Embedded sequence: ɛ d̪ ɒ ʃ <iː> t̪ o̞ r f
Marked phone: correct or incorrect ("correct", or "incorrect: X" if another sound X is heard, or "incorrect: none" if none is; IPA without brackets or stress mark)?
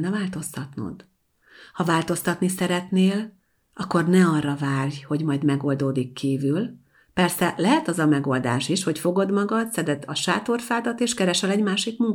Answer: incorrect: aː